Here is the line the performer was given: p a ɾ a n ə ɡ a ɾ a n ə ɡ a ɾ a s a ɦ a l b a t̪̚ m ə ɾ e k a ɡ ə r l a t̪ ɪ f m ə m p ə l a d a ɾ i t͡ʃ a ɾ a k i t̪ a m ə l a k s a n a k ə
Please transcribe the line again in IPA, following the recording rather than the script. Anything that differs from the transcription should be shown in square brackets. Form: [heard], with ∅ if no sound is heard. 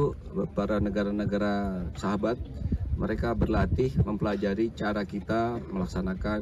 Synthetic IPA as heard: p a ɾ a n ə ɡ a ɾ a n ə ɡ a ɾ a s a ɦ a [∅] b a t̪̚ m ə ɾ e k a [b] ə r l a t̪ ɪ [h] m ə m p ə l a [d͡ʒ] a ɾ i t͡ʃ a ɾ a k i t̪ a m ə l a k s a n a k [a]